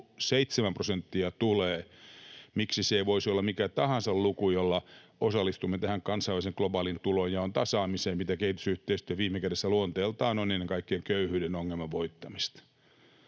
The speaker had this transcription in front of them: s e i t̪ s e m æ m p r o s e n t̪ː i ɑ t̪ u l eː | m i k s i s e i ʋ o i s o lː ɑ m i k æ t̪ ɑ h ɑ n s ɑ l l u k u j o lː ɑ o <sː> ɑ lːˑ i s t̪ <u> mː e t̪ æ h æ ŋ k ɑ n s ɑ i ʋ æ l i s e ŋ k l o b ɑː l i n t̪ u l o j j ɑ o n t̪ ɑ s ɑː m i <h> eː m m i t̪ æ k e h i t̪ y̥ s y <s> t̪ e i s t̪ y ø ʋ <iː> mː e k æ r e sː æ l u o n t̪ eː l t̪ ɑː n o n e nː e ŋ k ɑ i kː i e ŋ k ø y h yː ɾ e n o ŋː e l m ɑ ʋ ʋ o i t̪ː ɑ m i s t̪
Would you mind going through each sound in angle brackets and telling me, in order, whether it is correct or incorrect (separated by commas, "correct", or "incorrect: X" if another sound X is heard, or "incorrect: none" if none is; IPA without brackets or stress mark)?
incorrect: s, correct, incorrect: s, incorrect: h, correct